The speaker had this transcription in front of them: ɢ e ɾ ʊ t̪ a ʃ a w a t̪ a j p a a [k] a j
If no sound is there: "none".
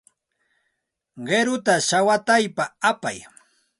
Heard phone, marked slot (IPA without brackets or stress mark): p